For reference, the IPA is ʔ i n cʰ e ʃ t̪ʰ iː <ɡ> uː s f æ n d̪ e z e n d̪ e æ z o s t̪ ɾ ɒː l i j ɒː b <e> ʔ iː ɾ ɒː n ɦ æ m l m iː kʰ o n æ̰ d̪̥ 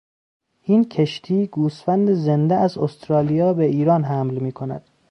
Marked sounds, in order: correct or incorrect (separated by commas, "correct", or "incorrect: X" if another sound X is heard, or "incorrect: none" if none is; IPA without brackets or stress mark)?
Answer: correct, correct